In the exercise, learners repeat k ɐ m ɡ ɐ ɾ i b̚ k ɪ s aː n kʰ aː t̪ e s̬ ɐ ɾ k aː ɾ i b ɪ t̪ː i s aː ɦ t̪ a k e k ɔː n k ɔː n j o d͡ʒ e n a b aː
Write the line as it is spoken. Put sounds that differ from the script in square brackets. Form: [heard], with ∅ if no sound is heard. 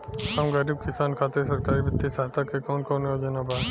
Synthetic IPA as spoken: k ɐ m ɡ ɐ ɾ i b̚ k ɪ s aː n kʰ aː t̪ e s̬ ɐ ɾ k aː ɾ i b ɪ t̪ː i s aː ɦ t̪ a k e k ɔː n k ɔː n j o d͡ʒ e n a b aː